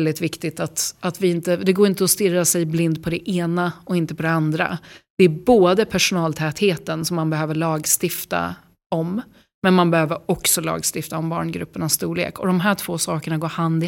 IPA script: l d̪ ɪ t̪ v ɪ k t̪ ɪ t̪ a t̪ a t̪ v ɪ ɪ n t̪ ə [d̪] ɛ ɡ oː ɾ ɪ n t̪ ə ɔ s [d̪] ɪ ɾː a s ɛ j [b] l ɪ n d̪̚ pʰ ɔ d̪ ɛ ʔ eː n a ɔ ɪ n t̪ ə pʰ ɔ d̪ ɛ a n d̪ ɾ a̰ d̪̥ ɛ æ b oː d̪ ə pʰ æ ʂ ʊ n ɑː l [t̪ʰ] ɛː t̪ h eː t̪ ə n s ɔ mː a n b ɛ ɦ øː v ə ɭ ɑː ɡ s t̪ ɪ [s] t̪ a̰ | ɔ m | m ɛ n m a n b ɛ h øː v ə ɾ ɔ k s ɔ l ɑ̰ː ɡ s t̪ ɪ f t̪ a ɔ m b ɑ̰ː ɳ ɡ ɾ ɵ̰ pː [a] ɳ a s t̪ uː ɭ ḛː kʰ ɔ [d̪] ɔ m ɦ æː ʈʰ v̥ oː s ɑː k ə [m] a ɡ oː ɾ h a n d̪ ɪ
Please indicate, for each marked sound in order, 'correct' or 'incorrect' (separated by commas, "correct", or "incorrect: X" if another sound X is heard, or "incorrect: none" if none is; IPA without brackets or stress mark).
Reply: correct, incorrect: t̪, correct, correct, incorrect: f, incorrect: ə, correct, incorrect: ɳ